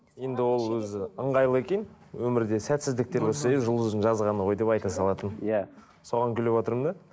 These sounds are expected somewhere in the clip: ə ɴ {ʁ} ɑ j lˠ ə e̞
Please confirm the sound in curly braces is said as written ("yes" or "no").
yes